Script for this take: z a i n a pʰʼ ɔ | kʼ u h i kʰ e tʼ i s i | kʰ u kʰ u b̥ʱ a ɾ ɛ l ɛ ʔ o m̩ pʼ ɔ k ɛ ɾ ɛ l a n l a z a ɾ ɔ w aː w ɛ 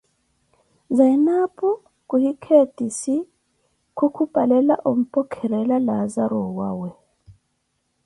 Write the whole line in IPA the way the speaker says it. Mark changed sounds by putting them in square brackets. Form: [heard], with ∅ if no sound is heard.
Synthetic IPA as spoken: z a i n a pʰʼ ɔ | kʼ u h i kʰ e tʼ i s i | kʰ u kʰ u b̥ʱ a [l] ɛ l [a] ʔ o m̩ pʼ ɔ [kʰ] ɛ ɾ ɛ l a [∅] l a z a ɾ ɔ w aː w ɛ